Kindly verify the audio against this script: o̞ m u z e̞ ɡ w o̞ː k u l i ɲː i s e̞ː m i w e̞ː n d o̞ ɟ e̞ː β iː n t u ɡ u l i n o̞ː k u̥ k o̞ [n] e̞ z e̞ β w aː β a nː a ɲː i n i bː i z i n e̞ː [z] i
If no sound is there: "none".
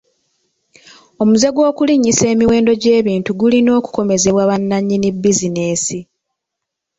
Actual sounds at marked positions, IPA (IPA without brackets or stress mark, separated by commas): m, s